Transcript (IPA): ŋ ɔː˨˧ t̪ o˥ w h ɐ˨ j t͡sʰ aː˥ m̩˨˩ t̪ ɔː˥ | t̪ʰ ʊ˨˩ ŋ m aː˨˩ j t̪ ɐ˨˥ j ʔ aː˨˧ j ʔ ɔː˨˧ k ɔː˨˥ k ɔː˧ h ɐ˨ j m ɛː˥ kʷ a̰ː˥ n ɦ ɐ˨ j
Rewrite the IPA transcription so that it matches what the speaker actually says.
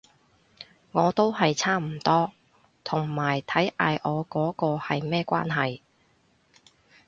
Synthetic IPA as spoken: ŋ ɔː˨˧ t̪ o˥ w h ɐ˨ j t͡sʰ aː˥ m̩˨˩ t̪ ɔː˥ | t̪ʰ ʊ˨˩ ŋ m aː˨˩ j t̪ʰ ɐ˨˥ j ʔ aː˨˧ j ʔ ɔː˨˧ k ɔː˨˥ k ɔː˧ h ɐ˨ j m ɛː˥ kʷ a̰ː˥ n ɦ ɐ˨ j